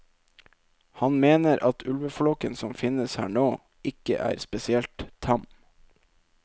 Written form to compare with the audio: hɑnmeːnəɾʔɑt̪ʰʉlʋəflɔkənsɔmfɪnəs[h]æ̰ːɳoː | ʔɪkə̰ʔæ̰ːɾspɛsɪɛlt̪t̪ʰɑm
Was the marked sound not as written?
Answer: no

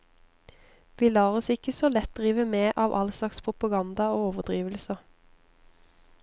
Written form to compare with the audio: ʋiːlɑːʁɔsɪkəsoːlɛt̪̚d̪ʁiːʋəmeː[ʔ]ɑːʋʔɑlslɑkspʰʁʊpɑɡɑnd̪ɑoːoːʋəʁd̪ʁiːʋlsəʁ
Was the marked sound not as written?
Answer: no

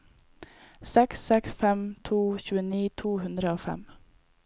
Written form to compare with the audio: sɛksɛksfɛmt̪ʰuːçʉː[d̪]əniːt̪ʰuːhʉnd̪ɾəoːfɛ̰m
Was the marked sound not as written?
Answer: yes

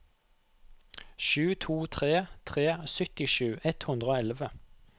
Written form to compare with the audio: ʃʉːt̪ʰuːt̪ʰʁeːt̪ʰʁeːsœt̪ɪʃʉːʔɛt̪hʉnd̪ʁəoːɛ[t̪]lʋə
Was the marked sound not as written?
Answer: yes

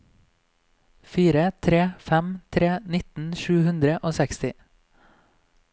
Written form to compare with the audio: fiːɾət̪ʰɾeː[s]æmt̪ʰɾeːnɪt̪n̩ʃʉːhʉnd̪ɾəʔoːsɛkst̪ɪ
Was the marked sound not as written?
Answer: yes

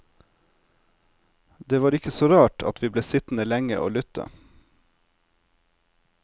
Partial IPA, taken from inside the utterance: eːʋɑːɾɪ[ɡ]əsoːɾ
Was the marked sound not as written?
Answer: yes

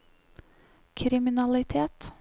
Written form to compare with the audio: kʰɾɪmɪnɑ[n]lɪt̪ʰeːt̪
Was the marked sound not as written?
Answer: yes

